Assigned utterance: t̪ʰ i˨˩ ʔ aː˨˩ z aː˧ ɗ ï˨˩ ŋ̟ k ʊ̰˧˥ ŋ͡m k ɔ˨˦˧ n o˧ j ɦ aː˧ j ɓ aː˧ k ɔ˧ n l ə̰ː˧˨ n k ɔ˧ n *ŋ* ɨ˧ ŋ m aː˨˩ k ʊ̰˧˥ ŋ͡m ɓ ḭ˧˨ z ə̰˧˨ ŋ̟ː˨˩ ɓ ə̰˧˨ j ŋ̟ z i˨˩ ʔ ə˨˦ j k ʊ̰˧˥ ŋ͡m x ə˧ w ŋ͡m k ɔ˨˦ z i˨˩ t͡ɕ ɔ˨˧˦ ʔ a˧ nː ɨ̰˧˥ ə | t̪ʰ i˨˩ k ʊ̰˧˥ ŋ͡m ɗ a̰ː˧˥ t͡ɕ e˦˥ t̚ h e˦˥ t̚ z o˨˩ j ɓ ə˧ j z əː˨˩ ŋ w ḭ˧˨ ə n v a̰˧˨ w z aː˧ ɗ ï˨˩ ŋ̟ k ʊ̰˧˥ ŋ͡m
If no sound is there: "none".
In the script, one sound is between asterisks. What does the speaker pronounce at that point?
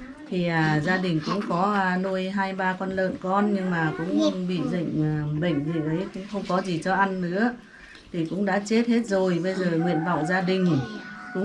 ɲ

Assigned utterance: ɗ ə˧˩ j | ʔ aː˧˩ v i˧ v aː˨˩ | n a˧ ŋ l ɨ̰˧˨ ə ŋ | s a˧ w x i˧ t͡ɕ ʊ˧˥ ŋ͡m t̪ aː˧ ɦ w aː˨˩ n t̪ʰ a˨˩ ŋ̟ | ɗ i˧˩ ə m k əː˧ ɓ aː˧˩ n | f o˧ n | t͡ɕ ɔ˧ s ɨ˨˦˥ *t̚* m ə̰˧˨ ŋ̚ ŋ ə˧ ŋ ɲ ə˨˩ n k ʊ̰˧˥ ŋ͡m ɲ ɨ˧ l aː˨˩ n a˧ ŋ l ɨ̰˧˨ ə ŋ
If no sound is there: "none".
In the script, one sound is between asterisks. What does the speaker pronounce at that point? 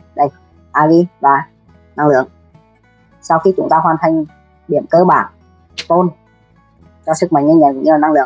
k̚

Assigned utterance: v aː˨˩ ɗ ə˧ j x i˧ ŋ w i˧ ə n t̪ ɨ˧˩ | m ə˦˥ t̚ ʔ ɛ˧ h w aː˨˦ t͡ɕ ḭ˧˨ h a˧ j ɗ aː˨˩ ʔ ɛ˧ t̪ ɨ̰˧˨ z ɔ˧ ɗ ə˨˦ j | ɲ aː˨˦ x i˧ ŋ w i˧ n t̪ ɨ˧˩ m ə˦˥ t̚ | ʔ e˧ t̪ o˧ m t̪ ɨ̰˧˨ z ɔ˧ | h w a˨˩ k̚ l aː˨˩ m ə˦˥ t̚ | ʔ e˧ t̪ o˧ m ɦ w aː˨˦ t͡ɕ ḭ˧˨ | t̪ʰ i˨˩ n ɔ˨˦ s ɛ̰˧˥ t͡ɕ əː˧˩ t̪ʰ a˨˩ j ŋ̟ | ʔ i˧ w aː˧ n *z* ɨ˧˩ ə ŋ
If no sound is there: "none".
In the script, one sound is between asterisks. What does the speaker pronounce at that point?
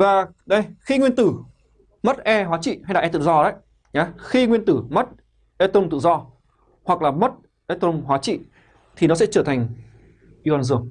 z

